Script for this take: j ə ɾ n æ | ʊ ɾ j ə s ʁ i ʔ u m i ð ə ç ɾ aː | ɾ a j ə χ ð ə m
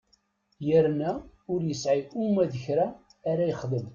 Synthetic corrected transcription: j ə ɾ n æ | ʊ ɾ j ə s ʕ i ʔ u m æ ð ə ç ɾ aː | ɾ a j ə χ ð ə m